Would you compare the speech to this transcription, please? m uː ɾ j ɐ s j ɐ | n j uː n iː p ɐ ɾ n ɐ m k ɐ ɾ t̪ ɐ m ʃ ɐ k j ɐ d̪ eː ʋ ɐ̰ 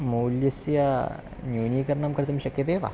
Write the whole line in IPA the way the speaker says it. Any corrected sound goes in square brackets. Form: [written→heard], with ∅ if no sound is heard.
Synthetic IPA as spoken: m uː [ɾ→l] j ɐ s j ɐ | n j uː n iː [p→k] ɐ ɾ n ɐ m k ɐ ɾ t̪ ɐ m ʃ ɐ k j ɐ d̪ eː ʋ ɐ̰